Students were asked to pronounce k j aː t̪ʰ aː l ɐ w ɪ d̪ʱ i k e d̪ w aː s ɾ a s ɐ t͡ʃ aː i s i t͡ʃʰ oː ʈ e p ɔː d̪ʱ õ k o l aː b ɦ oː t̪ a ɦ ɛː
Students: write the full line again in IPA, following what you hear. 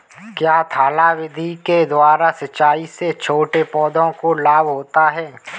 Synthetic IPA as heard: k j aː t̪ʰ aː l a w ɪ d̪ʱ i k e d̪ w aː ɾ a s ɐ t͡ʃ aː i s e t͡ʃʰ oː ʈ e p ɔː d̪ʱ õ k o l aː b ɦ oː t̪ a ɦ ɛː